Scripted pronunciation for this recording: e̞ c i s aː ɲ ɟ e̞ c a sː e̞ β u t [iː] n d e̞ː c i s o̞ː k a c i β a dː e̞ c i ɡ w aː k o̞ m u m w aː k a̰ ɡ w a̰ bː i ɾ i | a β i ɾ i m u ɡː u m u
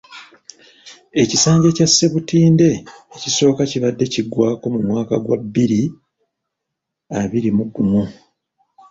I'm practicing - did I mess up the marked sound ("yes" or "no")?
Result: no